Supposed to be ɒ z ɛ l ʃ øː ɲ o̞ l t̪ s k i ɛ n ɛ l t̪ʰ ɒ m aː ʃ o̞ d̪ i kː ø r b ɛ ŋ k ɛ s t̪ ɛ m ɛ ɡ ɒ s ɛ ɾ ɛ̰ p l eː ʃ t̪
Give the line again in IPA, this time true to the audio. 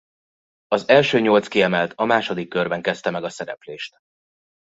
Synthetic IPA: ɒ z ɛ l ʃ øː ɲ o̞ l t̪ s k i ɛ m ɛ l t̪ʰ ɒ m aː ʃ o̞ d̪ i kː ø r b ɛ ŋ k ɛ s t̪ ɛ m ɛ ɡ ɒ s ɛ ɾ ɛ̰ p l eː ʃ t̪

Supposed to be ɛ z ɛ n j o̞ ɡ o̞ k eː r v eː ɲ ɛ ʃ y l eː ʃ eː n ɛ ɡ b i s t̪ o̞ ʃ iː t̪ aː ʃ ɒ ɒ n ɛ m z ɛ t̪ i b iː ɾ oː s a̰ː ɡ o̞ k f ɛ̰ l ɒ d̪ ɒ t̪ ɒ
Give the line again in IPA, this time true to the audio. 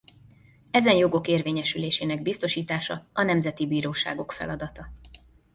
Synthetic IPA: ɛ z ɛ n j o̞ ɡ o̞ k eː r v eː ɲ ɛ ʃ y l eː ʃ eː n ɛ ɡ b i s t̪ o̞ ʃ iː t̪ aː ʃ ɒ ɒ n ɛ m z ɛ t̪ i b iː ɾ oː ʃ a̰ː ɡ o̞ k f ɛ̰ l ɒ d̪ ɒ t̪ ɒ

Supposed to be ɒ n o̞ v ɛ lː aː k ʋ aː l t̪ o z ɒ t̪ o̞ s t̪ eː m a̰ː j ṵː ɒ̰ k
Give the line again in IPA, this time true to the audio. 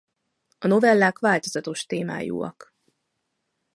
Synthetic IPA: ɒ n o̞ v ɛ lː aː k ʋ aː l t̪ o z ɒ t̪ o̞ ʃ t̪ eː m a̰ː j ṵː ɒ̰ k

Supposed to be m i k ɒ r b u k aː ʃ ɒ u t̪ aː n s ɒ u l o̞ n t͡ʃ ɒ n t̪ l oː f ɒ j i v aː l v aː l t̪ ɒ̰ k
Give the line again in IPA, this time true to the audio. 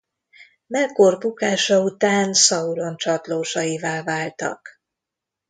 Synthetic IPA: m ɛ k o r b u k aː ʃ ɒ u t̪ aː n s ɒ u l o̞ n t͡ʃ ɒ t̪ l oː ʃ ɒ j i v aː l v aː l t̪ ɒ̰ k

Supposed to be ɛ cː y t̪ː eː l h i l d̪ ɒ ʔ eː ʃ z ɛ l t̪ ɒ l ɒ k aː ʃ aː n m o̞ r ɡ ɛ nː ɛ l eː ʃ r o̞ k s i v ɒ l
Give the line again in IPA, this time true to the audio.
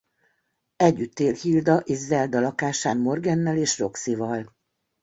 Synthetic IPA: ɛ ɟː y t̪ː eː l h i l d̪ ɒ ʔ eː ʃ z ɛ l d̪ ɒ l ɒ k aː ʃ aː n m o̞ r ɡ ɛ nː ɛ l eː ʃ r o̞ k s i v ɒ l

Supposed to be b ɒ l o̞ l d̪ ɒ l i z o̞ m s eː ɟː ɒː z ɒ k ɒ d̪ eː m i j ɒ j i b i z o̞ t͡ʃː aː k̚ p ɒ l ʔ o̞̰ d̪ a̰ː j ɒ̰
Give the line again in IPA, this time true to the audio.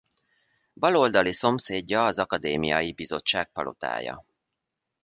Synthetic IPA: b ɒ l o̞ l d̪ ɒ l i s o̞ m s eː ɟː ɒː z ɒ k ɒ d̪ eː m i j ɒ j i b i z o̞ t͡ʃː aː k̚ p ɒ l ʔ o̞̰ t̪ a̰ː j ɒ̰

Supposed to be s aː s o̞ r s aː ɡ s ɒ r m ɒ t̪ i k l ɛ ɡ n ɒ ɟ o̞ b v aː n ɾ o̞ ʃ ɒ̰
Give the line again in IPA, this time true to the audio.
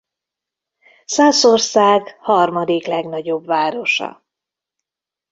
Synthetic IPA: s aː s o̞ r s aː ɡ h ɒ r m ɒ d̪ i k l ɛ ɡ n ɒ ɟ o̞ b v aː ɾ o̞ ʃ ɒ̰

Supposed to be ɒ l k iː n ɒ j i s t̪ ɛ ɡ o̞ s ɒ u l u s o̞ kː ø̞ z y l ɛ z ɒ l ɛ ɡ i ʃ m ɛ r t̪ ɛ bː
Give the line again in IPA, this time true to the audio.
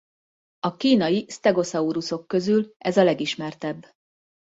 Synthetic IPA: ɒ k iː n ɒ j i s t̪ ɛ ɡ o̞ s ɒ u ɾ u s o̞ kː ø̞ z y l ɛ z ɒ l ɛ ɡ i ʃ m ɛ r t̪ ɛ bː

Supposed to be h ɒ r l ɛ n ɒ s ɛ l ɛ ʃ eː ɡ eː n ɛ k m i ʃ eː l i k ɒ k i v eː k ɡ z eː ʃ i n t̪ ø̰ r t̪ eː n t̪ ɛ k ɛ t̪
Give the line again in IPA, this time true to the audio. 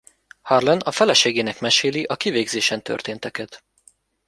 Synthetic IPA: h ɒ r l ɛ n ɒ f ɛ l ɛ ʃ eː ɡ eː n ɛ k m ɛ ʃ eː l i ʔ ɒ k i v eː ɡ z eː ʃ ɛ n t̪ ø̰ r t̪ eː n t̪ ɛ k ɛ t̪

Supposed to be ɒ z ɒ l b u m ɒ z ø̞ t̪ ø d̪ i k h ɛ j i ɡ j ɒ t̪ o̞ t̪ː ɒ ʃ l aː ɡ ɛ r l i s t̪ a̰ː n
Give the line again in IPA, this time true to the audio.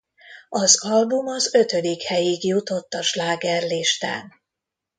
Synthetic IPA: ɒ z ɒ l b u m ɒ z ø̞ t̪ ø d̪ i k h ɛ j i ɡ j u t̪ o̞ t̪ː ɒ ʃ l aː ɡ ɛ r l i ʃ t̪ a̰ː n

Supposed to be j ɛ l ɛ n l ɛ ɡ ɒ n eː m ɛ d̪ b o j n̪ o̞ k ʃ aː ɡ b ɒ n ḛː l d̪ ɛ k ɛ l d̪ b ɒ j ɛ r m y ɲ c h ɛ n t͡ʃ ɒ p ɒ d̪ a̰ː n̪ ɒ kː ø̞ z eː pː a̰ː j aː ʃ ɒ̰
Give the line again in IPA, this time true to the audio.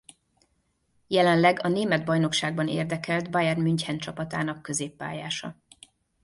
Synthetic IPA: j ɛ l ɛ n l ɛ ɡ ɒ n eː m ɛ d̪ b ɒ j n̪ o̞ k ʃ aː ɡ b ɒ n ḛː r d̪ ɛ k ɛ l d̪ b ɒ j ɛ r m y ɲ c h ɛ n t͡ʃ ɒ p ɒ t̪ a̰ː n̪ ɒ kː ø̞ z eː pː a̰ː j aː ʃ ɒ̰

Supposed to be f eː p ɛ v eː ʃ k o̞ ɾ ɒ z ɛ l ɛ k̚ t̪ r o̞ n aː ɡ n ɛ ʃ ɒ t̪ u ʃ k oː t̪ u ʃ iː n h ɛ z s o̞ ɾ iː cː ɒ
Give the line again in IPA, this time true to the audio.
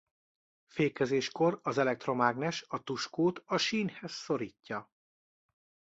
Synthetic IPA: f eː k ɛ z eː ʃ k o̞ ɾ ɒ z ɛ l ɛ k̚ t̪ r o̞ m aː ɡ n ɛ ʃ ɒ t̪ u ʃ k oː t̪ ɒ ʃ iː n h ɛ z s o̞ ɾ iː cː ɒ

